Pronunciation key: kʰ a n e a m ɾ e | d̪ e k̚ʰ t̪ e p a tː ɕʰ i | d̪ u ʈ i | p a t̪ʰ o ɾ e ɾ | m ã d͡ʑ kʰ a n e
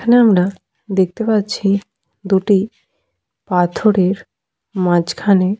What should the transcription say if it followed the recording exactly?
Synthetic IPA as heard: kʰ a n e a m ɾ a | d̪ e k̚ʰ t̪ e p a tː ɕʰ i | d̪ u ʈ i | p a t̪ʰ o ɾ e ɾ | m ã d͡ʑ kʰ a n e